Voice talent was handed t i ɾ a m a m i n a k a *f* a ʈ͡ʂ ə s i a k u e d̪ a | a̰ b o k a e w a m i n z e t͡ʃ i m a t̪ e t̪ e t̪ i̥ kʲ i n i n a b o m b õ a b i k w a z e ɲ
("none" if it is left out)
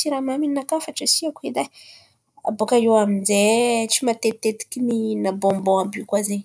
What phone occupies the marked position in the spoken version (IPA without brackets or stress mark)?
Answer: f